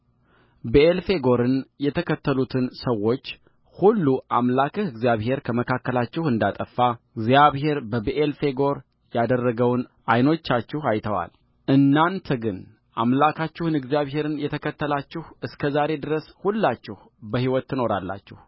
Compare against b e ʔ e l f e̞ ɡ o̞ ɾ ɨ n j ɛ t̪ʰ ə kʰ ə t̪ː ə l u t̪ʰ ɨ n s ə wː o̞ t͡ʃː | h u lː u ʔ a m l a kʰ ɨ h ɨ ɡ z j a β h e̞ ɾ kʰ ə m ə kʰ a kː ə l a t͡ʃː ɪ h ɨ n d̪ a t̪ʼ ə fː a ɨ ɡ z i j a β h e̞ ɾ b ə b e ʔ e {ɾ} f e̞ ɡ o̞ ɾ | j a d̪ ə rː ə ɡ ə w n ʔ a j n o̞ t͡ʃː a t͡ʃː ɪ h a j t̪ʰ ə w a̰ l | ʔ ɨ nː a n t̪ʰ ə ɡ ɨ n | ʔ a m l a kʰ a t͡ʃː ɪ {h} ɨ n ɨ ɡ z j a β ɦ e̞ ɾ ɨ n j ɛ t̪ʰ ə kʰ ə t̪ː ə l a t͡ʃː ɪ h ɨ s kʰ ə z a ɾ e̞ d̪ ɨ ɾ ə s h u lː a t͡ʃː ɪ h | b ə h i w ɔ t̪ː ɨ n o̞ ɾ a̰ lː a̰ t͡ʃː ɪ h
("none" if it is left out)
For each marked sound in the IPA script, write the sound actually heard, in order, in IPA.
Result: l, h

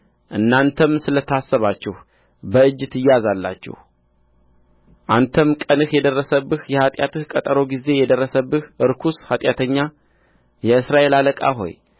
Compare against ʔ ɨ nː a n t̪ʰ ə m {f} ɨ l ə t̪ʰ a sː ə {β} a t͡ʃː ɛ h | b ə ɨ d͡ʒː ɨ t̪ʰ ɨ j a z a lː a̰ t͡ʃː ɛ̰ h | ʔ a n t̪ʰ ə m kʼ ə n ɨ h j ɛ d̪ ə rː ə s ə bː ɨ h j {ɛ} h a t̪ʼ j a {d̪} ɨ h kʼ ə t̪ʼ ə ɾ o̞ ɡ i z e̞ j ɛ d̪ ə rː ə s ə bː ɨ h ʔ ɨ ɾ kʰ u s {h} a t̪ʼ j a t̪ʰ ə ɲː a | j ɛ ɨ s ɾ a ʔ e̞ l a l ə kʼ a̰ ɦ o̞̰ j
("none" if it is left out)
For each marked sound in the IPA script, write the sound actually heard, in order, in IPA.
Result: s, β, ɛ, t̪, h

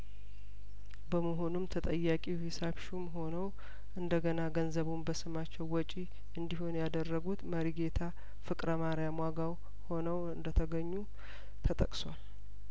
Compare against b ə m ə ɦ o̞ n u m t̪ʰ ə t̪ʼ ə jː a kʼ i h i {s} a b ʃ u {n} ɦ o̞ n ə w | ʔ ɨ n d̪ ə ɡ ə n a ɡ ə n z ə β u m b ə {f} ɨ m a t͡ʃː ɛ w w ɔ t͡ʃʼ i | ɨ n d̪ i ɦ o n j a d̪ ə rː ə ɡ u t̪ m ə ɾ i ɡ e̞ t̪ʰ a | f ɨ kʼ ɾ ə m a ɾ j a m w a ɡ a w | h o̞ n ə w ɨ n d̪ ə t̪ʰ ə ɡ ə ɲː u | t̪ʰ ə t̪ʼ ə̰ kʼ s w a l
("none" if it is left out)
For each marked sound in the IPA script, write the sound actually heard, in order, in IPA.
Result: s, m, s

